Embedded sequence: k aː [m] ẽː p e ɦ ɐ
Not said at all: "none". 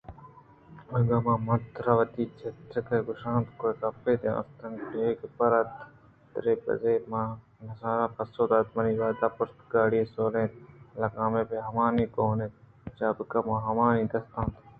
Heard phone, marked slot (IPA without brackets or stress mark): m